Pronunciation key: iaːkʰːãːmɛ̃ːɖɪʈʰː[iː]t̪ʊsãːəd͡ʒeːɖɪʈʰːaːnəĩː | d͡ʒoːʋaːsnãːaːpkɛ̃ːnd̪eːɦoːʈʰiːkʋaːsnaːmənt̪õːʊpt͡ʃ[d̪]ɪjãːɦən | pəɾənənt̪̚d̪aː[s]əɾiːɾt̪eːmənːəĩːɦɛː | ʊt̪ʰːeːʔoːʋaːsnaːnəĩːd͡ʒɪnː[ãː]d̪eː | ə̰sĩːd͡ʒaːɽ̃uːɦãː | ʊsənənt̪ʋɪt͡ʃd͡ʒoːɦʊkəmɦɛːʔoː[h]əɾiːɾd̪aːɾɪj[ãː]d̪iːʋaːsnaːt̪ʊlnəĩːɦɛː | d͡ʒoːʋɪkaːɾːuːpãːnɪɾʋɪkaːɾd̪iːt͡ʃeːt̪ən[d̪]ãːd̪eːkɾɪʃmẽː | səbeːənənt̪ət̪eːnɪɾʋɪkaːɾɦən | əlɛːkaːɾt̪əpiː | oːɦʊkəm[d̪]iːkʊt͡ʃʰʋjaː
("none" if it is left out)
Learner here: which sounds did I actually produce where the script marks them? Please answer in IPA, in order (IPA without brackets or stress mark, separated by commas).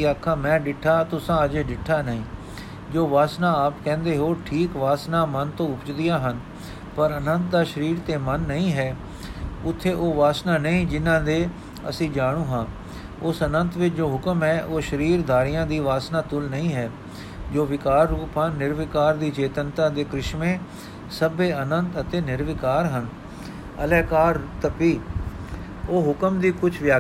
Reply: aː, d̪, ʃ, ãː, ʃ, ãː, t̪, d̪